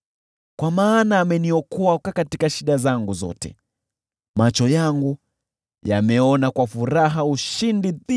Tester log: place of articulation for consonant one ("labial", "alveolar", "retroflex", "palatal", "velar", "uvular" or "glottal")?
velar